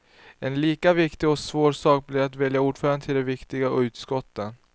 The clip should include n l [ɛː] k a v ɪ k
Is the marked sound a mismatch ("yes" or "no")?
yes